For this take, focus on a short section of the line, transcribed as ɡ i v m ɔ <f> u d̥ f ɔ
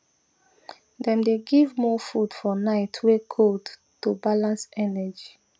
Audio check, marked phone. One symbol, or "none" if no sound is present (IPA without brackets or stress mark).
f